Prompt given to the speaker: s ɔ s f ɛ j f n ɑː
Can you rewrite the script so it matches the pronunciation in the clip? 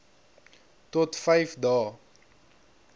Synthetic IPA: t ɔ t f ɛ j f d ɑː